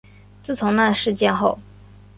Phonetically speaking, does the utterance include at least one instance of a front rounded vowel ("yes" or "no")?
no